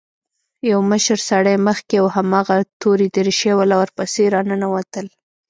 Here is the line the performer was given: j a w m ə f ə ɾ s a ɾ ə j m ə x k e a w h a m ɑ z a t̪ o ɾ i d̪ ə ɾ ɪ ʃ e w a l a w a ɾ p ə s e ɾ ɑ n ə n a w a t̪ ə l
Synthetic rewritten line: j a w m ə ʃ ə ɾ s a ɽ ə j m ə x k e a w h a m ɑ ɣ a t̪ o ɾ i d̪ ə ɾ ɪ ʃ e w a l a w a ɾ p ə s e ɾ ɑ n ə n a w a t̪ ə l